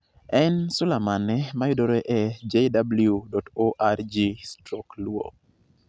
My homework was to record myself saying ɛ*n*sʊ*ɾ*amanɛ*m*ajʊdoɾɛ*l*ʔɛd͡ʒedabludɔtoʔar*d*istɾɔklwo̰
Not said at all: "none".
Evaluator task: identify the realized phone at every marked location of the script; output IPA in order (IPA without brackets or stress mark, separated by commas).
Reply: n, l, m, none, d͡ʒ